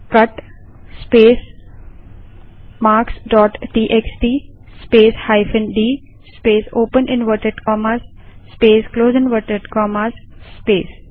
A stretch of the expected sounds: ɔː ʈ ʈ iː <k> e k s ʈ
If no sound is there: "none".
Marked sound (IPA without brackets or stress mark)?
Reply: ʔ